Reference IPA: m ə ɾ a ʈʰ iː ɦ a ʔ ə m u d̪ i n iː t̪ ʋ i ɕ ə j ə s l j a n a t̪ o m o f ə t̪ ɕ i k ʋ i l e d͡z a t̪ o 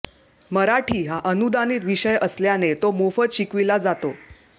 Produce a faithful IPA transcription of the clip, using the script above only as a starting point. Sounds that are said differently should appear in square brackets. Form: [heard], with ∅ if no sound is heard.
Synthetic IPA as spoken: m ə ɾ a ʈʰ iː ɦ a ʔ ə [n] u d̪ [a] n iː t̪ ʋ i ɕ ə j ə s l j a n [e] t̪ o m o f ə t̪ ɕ i k ʋ i l [a] d͡z a t̪ o

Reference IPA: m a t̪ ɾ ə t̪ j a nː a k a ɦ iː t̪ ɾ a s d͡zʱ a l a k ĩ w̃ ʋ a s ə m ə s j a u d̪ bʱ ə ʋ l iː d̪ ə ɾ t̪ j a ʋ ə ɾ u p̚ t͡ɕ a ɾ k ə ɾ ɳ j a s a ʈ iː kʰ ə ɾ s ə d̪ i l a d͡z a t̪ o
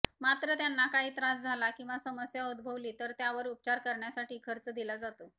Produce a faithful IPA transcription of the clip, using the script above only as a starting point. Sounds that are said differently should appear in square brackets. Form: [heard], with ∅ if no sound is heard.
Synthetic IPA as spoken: m a t̪ ɾ ə t̪ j a nː a k a ɦ iː t̪ ɾ a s d͡zʱ a l a k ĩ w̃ ʋ a s ə m ə s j a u d̪ bʱ ə ʋ l iː [t̪] ə ɾ t̪ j a ʋ ə ɾ u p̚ t͡ɕ a ɾ k ə ɾ ɳ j a s a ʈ iː kʰ ə ɾ [t͡s] ə d̪ i l a d͡z a t̪ o

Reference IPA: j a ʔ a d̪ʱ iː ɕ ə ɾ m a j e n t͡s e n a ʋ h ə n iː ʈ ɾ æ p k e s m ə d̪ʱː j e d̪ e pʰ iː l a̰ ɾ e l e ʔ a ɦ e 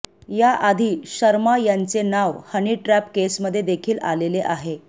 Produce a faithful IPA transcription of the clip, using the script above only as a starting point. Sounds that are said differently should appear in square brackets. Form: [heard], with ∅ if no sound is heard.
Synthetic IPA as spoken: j a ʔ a d̪ʱ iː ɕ ə ɾ m a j [a] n t͡s e n a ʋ h ə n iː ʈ ɾ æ p k e s m ə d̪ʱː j e d̪ e [kʰ] iː l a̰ [l] e l e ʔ a ɦ e

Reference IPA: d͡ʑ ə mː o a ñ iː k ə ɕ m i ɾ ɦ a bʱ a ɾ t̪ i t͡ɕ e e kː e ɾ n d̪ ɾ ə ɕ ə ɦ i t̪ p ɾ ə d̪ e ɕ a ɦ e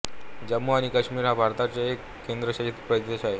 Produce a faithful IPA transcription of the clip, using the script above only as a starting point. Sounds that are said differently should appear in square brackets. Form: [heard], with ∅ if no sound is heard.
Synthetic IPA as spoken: d͡ʑ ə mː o a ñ [i] k ə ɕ m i ɾ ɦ a bʱ a ɾ t̪ [a] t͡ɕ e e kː e [∅] n d̪ ɾ ə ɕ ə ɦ i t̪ p ɾ ə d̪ e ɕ a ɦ e

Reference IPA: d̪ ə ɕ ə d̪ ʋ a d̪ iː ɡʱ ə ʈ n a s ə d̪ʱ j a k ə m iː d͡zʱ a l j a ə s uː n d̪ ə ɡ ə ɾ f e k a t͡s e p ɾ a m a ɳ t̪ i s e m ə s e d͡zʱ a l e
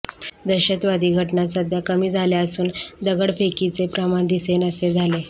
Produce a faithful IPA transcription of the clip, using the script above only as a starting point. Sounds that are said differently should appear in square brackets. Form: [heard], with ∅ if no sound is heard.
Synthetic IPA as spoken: d̪ ə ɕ ə [t̪] ʋ a d̪ iː ɡʱ ə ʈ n a s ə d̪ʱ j a k ə m iː d͡zʱ a l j a ə s uː n d̪ ə ɡ ə [ɽ] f e k [i] t͡s e p ɾ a m a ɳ [d̪] i s e [n] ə s e d͡zʱ a l e

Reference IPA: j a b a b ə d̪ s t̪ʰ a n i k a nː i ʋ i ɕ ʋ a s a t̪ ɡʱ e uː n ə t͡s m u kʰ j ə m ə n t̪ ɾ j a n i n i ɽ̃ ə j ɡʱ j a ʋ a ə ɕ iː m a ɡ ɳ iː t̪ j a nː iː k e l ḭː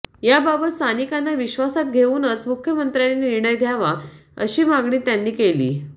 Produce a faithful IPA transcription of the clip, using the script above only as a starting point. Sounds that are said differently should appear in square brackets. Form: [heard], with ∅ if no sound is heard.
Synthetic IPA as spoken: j a b a b ə [t̪] s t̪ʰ a n i k a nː [a] ʋ i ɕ ʋ a s a t̪ ɡʱ e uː n ə t͡s m u kʰ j ə m ə n t̪ ɾ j a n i n i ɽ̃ ə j ɡʱ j a ʋ a ə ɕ iː m a ɡ ɳ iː t̪ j a nː iː k e l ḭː

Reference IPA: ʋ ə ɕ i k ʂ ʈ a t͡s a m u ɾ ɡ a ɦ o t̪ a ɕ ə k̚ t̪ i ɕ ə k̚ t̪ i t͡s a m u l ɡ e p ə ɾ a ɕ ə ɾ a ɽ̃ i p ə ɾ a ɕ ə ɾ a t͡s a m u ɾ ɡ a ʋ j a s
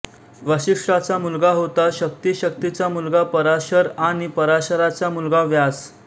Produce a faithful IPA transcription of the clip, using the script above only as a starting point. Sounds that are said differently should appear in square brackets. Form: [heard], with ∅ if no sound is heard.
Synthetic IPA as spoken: ʋ ə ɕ i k ʂ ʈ a t͡s a m u [l] ɡ a ɦ o t̪ a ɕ ə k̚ t̪ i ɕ ə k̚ t̪ i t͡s a m u l ɡ [a] p ə ɾ a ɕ ə ɾ a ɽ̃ i p ə ɾ a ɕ ə ɾ a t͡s a m u [l] ɡ a ʋ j a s

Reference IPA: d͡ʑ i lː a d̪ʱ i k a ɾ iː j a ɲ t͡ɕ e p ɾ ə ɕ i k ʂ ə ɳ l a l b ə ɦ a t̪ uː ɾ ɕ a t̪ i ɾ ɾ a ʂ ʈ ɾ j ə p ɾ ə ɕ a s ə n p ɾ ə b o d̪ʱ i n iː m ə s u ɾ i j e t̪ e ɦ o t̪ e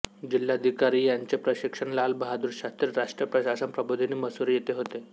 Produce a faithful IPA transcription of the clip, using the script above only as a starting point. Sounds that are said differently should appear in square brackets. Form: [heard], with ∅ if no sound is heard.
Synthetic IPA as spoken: d͡ʑ i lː a d̪ʱ i k a ɾ iː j a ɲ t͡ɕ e p ɾ ə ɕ i k ʂ ə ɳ l a l b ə ɦ a [d̪] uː ɾ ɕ a t̪ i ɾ ɾ a ʂ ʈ ɾ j ə p ɾ ə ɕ a s ə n p ɾ ə b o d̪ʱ i n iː m ə s u ɾ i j e t̪ e ɦ o t̪ e

